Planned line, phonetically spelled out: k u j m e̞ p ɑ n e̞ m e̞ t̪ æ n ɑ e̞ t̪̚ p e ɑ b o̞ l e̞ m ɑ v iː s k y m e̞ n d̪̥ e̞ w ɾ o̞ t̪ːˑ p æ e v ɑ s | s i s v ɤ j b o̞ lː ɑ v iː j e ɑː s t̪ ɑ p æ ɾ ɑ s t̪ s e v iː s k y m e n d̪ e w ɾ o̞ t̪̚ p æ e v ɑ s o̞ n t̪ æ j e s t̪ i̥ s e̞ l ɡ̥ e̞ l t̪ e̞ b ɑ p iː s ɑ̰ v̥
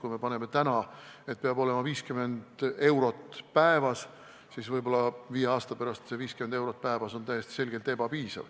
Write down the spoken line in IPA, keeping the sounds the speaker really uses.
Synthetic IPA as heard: k u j m e̞ p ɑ n e̞ m e̞ t̪ æ n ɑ e̞ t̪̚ p e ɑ b o̞ l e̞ m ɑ v iː s k y m e̞ n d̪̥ e̞ w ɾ o̞ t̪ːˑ p æ e v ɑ s | s i s v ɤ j b o̞ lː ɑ v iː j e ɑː s t̪ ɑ p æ ɾ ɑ s t̪ s e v iː s k y m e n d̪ e w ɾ o̞ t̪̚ p æ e v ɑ s o̞ n t̪ æ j e s t̪ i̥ s e̞ l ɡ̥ e̞ l t̪ e̞ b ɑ p iː s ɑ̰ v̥